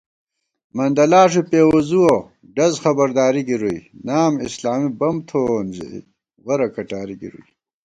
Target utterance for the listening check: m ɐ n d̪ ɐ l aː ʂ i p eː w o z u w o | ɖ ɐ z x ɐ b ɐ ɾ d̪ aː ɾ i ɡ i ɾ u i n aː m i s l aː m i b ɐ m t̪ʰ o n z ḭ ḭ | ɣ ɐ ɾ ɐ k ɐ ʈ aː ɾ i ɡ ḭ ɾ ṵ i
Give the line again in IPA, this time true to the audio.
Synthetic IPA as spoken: m ɐ n d̪ ɐ l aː ʂ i p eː w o z u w o | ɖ ɐ z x ɐ b ɐ ɾ d̪ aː ɾ i ɡ i ɾ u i n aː m i s l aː m i b ɐ m t̪ʰ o n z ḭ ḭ | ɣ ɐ ɾ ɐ k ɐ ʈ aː ɾ i ɡ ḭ ɾ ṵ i